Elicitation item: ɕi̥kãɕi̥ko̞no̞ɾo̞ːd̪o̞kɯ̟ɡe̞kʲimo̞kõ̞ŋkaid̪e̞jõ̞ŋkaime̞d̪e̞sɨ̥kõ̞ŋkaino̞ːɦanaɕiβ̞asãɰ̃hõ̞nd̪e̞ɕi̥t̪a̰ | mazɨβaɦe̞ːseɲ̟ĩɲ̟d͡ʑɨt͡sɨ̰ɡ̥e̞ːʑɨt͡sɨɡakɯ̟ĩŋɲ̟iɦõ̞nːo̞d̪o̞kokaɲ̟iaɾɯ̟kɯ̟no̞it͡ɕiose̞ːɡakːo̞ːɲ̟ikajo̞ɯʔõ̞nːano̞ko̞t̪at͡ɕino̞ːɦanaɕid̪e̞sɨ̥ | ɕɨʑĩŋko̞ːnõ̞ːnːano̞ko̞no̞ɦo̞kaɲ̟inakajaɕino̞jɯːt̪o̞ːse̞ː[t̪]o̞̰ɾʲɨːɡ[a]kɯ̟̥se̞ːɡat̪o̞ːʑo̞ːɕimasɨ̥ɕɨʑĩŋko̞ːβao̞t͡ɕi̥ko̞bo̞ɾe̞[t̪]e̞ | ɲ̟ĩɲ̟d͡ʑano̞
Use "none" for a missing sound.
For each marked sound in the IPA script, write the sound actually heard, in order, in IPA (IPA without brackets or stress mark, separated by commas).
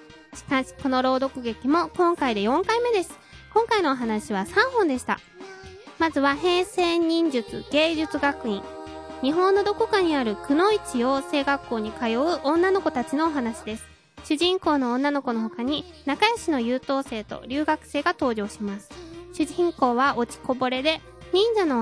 t̪, a, d̪